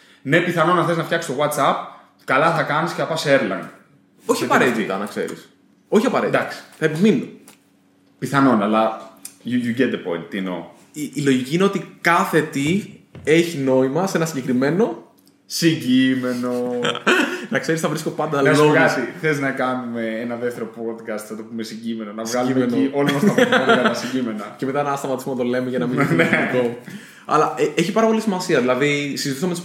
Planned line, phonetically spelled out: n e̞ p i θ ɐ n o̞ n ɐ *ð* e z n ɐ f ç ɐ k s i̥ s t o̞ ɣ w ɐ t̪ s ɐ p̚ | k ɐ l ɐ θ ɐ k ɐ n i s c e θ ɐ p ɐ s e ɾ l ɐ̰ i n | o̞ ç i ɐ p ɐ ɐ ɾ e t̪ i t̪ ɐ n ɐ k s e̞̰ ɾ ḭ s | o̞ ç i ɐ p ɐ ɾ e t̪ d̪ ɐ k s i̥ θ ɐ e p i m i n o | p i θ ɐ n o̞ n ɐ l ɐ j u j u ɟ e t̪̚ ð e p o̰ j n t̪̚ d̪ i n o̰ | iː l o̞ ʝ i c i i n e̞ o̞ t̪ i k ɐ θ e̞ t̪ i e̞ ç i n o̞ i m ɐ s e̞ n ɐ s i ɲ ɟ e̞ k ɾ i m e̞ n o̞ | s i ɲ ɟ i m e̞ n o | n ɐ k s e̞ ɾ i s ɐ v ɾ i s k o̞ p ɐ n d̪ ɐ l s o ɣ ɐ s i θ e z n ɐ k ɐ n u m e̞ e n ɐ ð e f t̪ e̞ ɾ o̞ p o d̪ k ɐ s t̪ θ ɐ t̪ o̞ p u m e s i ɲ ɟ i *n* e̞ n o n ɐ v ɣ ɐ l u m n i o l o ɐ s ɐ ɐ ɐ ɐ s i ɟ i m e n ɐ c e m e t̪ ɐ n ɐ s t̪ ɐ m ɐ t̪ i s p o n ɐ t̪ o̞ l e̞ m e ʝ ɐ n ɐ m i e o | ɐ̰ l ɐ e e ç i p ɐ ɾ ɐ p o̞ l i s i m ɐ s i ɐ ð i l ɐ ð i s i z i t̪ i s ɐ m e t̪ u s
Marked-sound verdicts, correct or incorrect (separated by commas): incorrect, incorrect